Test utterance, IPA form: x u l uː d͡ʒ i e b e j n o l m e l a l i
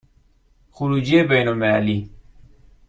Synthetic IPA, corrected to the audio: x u ɾ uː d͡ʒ i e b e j n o l m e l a l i